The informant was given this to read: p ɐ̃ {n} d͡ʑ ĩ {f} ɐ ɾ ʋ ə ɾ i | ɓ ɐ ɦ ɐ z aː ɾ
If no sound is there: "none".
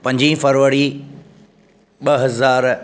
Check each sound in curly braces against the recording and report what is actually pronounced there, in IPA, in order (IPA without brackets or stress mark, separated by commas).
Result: ɲ, f